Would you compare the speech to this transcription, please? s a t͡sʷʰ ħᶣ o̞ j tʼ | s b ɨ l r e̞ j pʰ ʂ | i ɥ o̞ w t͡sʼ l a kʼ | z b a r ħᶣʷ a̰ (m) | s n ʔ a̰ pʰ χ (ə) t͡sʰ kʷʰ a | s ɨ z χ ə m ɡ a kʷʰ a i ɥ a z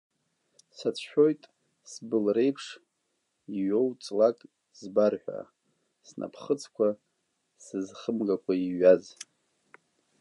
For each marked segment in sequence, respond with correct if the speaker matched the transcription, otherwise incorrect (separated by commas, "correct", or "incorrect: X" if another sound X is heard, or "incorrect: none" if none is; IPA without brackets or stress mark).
incorrect: none, correct